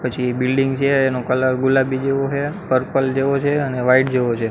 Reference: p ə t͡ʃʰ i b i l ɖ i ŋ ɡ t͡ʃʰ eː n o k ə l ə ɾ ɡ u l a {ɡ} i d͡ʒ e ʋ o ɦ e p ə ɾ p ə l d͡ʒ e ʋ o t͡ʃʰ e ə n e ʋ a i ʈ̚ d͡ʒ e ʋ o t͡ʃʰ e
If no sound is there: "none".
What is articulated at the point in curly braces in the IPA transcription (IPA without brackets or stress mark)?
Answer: b